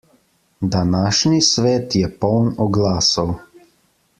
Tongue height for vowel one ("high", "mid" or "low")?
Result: low